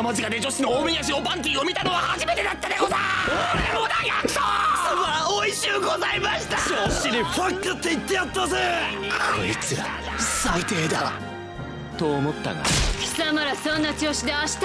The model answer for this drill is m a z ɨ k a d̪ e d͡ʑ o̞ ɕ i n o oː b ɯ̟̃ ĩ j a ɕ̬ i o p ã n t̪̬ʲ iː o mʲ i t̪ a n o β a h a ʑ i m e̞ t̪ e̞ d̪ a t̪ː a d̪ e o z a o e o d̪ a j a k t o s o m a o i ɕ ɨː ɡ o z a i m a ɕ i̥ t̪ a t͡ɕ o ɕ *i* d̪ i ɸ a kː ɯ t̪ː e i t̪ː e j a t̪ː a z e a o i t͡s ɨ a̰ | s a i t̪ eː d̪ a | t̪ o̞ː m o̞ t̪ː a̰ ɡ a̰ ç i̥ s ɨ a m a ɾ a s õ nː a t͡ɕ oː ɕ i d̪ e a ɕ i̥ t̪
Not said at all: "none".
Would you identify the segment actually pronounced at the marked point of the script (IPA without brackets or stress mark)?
i